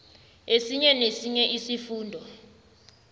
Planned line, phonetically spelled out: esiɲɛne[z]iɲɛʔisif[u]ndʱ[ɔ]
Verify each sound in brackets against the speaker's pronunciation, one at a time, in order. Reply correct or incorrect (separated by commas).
incorrect, incorrect, correct